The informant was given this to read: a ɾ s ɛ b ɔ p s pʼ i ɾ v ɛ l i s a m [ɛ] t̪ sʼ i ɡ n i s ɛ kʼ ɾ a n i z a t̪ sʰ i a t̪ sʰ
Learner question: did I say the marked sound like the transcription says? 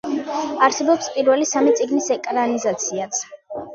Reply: no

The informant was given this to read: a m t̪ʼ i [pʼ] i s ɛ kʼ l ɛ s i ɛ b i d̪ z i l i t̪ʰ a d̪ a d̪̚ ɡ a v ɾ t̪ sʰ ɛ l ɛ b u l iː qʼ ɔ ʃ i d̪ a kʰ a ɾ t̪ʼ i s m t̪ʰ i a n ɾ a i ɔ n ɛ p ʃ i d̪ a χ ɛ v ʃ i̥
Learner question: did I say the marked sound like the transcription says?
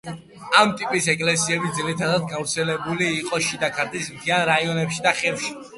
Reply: yes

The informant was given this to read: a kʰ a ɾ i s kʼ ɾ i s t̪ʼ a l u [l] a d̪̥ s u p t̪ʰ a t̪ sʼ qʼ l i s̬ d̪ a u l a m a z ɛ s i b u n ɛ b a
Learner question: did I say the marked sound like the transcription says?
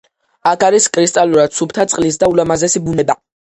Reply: no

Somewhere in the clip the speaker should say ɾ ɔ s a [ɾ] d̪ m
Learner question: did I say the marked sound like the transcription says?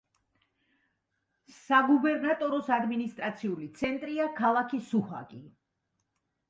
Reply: no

